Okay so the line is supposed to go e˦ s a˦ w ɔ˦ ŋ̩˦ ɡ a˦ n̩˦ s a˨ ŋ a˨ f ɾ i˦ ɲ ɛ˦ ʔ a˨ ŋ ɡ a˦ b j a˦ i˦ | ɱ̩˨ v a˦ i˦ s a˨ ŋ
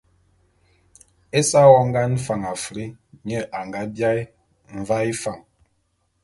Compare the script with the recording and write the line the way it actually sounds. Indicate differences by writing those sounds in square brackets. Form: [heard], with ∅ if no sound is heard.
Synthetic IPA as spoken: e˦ s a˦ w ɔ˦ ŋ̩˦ ɡ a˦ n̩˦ [f] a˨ ŋ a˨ f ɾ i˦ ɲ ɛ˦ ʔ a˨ ŋ ɡ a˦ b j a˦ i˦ | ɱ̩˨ v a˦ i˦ [f] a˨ ŋ